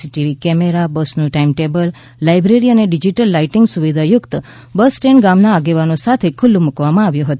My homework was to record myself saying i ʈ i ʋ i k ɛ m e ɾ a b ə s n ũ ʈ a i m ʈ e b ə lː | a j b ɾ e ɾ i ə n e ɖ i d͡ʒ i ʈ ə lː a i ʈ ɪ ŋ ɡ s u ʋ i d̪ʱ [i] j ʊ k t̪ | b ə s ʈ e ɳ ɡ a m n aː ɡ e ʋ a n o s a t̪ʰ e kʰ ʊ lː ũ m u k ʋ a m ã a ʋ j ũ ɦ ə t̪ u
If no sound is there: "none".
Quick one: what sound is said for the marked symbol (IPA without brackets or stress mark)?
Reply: a